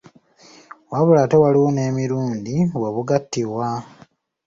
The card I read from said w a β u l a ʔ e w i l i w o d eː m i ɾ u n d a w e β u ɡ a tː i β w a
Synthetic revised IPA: w a β u l a t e w a l i w o n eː m i ɾ uː n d i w e β u ɡ a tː i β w a